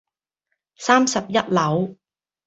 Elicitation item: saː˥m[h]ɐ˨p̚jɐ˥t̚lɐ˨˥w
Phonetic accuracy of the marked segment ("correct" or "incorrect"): incorrect